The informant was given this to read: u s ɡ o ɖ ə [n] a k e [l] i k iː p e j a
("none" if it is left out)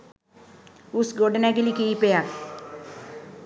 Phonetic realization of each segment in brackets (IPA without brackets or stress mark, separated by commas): n, l